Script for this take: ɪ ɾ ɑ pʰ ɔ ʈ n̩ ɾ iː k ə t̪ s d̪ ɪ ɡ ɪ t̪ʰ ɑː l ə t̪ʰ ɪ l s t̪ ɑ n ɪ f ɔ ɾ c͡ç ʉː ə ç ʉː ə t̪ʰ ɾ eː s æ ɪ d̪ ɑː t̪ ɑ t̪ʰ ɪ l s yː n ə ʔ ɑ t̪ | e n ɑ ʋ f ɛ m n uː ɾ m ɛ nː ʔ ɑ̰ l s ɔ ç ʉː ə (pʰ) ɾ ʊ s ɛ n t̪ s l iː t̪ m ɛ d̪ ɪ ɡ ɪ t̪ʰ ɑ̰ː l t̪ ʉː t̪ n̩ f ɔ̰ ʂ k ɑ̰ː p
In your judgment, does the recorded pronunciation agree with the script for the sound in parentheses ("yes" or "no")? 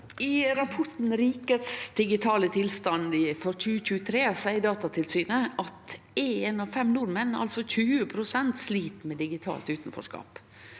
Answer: yes